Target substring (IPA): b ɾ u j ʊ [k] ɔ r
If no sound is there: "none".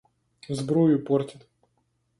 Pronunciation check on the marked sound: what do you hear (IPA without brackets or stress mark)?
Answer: p